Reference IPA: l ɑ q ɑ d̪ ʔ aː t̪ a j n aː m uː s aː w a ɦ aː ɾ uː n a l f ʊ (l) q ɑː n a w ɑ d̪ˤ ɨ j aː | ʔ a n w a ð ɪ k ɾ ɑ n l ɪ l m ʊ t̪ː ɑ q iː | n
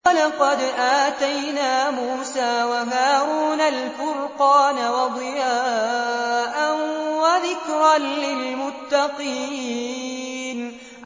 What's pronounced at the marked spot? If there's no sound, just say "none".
ɾ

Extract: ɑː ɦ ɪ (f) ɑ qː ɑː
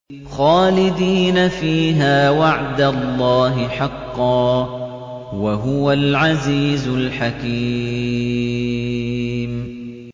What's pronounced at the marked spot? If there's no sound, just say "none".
ħ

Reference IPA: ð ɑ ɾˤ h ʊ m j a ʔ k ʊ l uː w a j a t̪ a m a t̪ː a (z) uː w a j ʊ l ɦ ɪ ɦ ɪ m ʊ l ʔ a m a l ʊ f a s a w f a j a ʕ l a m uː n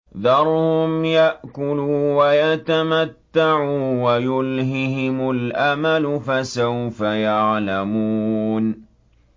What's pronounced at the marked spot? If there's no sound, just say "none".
ʕ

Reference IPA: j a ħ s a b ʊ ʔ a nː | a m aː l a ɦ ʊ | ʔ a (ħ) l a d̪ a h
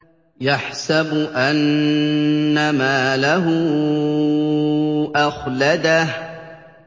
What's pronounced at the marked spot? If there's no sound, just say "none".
x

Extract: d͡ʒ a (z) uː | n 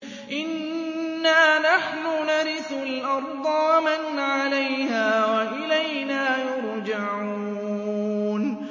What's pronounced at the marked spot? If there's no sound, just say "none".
ʕ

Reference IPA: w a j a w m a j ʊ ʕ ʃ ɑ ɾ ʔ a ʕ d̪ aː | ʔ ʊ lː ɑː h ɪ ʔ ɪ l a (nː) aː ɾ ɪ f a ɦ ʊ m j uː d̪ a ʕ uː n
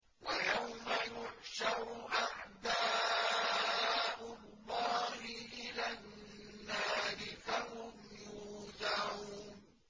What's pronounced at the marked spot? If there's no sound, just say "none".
nː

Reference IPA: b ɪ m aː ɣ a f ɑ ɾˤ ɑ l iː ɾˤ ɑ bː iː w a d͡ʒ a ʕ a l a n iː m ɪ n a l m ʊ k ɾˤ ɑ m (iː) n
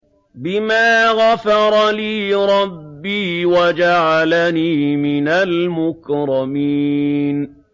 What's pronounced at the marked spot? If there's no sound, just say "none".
iː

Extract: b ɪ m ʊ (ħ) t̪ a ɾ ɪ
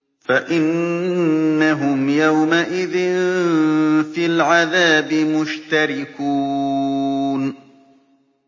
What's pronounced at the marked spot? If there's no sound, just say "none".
ʃ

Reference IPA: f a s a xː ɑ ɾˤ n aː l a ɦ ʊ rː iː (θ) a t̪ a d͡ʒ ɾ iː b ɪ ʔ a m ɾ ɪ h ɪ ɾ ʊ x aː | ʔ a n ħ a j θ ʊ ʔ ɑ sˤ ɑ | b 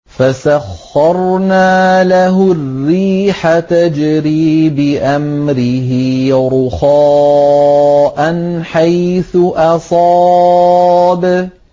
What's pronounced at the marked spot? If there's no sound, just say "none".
ħ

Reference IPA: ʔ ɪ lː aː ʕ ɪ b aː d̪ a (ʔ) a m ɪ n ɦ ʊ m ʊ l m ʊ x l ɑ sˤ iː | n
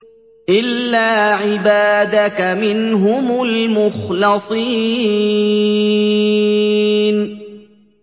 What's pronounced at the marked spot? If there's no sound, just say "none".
k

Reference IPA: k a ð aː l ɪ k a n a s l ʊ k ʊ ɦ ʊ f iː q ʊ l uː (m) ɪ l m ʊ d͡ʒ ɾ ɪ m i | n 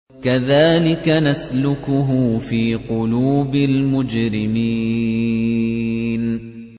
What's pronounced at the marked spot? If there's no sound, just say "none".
b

